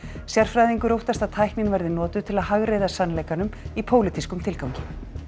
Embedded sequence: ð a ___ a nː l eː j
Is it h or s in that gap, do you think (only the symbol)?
s